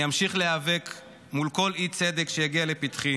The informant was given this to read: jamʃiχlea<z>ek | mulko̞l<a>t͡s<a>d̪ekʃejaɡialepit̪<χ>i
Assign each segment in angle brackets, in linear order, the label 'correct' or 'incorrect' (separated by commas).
incorrect, incorrect, incorrect, correct